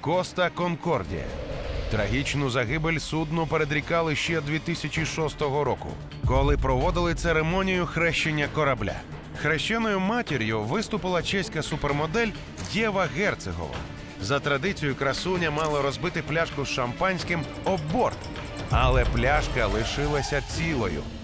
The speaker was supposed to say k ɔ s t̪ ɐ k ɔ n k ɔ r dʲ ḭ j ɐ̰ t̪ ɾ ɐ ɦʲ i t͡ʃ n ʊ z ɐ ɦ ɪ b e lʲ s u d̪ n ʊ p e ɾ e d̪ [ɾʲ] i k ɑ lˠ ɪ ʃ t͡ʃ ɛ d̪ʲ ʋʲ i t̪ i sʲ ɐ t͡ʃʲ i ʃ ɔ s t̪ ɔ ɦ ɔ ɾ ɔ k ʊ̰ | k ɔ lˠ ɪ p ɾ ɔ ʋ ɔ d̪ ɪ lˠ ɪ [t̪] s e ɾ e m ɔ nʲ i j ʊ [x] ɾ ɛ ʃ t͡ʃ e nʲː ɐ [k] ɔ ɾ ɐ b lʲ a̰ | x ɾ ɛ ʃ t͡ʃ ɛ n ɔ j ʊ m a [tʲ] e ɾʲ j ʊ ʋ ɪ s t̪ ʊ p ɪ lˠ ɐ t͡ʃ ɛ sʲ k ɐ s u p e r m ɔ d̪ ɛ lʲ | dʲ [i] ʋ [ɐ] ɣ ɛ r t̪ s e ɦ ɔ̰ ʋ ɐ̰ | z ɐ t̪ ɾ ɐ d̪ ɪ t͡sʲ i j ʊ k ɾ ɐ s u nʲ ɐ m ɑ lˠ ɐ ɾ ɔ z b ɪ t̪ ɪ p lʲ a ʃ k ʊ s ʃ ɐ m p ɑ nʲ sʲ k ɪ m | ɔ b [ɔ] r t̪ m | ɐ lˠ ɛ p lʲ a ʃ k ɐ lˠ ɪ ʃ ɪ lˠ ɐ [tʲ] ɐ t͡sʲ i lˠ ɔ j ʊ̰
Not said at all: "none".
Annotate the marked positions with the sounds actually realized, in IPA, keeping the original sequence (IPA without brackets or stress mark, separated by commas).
ɾʲ, t̪, x, k, tʲ, ɛ, ɐ, ɔ, sʲ